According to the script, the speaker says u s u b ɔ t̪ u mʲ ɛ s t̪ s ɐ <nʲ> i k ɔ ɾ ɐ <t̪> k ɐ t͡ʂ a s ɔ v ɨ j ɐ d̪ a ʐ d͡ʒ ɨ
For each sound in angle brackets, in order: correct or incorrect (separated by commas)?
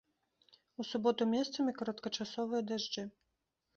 incorrect, correct